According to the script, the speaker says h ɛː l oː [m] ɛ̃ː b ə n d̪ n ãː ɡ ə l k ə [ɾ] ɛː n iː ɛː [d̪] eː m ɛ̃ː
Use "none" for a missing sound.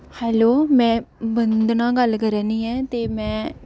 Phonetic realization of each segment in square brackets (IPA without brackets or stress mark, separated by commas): m, ɾ, t̪